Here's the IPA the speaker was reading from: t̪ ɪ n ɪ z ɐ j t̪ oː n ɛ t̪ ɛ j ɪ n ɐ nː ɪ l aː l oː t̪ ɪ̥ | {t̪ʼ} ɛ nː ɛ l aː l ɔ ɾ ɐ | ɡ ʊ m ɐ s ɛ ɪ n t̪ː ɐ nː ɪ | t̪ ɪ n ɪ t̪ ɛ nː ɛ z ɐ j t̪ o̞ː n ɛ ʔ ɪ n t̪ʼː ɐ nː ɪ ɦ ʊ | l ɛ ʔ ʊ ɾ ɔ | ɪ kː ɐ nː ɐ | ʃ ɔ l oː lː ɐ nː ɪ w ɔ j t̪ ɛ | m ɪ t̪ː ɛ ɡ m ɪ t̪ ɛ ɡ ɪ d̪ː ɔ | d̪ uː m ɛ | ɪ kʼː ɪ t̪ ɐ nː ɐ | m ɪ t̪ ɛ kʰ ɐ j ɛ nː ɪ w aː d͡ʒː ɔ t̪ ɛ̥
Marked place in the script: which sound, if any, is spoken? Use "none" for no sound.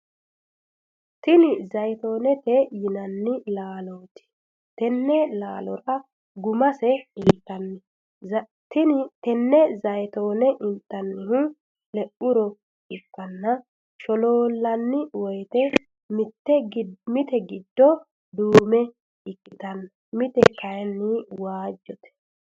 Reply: t̪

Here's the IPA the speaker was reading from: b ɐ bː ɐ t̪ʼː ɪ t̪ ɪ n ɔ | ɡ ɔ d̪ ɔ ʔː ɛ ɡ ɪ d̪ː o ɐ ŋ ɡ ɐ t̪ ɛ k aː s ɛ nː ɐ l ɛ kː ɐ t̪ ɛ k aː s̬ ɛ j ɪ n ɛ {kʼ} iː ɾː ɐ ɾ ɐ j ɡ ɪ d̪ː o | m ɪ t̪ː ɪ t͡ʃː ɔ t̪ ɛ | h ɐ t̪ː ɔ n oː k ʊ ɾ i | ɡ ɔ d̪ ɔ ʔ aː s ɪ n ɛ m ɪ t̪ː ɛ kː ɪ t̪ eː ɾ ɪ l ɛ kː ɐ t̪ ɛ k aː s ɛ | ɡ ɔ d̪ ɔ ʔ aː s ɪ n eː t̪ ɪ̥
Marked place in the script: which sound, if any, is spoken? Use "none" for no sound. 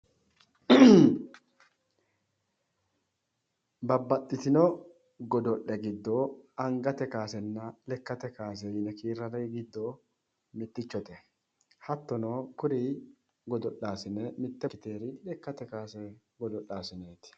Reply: k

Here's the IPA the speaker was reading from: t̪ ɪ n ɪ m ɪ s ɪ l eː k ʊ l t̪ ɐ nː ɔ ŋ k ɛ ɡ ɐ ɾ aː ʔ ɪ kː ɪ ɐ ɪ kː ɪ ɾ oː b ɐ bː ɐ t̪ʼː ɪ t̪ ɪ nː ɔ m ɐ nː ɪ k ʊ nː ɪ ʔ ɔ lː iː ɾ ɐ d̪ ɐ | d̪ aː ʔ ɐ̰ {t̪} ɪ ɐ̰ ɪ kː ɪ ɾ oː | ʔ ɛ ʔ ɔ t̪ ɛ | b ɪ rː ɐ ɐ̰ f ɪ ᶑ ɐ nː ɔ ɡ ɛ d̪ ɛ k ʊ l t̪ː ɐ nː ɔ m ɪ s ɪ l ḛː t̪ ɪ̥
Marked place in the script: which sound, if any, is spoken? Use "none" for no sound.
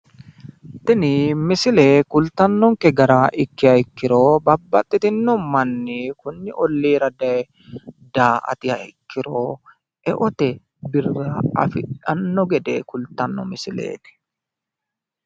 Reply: t̪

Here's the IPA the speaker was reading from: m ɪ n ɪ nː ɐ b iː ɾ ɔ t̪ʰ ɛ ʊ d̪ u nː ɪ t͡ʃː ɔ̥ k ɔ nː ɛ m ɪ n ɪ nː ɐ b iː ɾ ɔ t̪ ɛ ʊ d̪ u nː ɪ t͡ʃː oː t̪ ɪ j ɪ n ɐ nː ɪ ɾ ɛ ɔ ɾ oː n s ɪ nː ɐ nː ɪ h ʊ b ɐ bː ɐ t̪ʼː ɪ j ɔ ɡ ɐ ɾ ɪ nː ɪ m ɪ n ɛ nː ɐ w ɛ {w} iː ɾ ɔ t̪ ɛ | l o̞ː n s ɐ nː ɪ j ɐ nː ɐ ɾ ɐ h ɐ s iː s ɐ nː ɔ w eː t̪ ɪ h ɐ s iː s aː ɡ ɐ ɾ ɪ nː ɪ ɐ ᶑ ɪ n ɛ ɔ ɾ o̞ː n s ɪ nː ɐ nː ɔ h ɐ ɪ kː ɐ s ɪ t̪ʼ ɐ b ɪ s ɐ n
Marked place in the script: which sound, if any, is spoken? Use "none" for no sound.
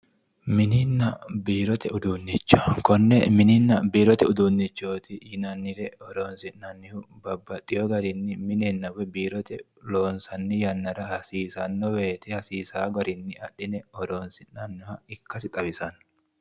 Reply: b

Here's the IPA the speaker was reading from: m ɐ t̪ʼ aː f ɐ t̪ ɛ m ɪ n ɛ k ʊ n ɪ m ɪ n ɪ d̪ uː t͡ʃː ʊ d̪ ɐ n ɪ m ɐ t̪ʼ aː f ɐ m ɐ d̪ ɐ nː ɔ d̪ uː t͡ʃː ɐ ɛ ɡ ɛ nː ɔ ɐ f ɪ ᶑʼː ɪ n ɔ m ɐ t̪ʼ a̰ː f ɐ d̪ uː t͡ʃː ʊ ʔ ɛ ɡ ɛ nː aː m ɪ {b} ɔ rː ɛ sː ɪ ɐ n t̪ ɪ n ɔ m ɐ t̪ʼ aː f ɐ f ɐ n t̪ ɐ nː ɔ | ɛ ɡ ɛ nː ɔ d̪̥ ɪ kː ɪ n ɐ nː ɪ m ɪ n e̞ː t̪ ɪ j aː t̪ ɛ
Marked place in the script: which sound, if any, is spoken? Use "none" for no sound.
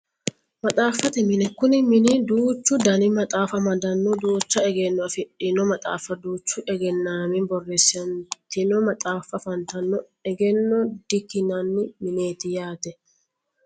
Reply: b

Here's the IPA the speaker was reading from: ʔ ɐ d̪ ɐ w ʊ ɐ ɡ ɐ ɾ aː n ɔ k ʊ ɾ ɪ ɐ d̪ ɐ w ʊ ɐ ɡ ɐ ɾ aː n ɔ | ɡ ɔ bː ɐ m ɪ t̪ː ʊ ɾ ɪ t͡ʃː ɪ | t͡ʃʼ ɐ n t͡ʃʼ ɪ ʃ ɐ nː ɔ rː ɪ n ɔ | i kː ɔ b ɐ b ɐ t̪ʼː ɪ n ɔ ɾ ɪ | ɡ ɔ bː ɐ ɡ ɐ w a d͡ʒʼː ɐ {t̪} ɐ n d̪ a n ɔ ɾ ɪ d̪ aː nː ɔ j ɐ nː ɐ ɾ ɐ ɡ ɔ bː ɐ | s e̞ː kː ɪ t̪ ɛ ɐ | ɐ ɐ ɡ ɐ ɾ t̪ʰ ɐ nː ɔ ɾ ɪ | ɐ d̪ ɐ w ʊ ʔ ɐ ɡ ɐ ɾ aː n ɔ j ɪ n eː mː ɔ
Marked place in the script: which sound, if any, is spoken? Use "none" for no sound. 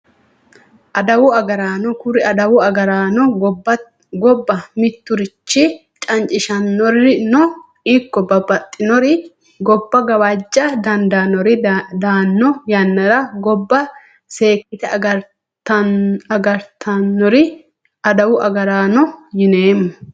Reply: d̪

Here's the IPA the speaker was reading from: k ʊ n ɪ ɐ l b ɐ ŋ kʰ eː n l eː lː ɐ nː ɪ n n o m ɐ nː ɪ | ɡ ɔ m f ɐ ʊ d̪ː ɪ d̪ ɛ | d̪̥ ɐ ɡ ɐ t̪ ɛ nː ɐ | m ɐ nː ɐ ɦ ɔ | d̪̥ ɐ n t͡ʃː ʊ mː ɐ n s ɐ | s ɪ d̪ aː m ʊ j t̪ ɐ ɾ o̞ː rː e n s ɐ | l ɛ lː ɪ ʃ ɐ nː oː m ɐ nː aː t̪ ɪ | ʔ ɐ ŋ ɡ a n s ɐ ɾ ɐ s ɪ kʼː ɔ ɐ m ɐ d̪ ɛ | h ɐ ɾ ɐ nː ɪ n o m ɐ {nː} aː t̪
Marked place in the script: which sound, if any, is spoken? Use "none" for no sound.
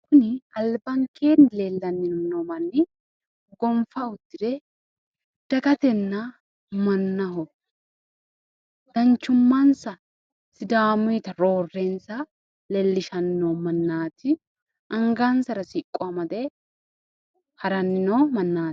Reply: nː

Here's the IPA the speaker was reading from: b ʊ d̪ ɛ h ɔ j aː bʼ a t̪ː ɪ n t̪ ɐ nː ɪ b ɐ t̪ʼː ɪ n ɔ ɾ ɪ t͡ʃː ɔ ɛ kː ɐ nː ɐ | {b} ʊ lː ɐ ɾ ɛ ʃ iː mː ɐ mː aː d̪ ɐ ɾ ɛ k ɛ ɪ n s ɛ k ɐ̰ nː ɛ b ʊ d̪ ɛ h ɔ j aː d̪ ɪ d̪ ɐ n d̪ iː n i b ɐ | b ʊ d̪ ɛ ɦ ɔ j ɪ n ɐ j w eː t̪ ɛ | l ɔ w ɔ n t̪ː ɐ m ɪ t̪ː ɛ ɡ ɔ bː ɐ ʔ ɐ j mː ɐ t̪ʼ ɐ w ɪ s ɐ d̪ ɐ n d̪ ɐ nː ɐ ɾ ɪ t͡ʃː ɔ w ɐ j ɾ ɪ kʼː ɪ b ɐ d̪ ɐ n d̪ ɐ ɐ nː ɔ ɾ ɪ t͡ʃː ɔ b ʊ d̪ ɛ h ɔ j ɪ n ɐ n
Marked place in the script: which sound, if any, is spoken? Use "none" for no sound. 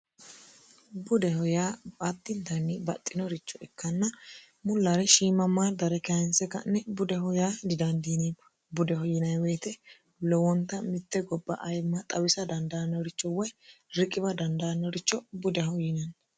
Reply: m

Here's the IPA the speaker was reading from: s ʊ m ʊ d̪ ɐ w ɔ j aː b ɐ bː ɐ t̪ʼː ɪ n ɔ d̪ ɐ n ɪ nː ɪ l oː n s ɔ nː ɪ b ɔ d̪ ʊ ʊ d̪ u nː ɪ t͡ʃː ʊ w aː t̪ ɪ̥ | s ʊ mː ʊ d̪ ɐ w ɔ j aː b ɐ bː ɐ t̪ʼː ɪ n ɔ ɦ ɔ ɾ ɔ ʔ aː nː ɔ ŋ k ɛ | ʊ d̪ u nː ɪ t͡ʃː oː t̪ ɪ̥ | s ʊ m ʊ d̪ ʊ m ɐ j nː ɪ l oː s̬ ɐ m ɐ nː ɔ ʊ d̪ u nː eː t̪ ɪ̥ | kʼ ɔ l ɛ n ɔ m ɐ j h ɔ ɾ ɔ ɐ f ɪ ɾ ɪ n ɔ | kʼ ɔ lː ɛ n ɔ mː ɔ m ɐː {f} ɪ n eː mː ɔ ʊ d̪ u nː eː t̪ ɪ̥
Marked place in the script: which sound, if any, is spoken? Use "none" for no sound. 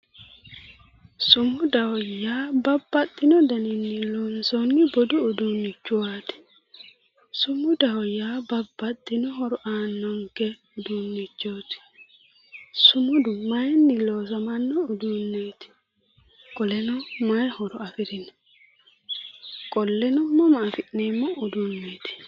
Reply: f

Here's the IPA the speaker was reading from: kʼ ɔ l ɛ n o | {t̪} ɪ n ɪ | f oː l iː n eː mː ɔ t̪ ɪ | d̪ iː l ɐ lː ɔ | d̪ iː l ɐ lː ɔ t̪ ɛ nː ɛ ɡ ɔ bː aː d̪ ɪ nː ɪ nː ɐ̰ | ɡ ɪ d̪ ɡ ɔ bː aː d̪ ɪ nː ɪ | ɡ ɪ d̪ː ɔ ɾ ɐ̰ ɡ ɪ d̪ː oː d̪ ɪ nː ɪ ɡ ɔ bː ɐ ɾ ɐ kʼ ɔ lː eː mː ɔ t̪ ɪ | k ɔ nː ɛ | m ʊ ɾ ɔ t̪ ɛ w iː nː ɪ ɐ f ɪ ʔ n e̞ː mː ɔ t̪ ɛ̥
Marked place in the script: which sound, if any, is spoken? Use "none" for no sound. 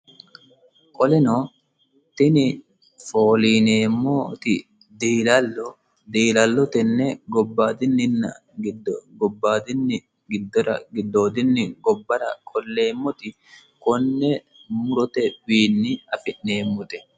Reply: t̪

